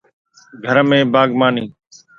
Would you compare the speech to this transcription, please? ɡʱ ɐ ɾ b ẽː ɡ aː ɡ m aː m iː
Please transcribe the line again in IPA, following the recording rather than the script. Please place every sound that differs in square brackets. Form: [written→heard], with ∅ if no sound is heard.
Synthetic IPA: ɡʱ [ɐ→ə] ɾ [b→m] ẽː [ɡ→b] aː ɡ m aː [m→n] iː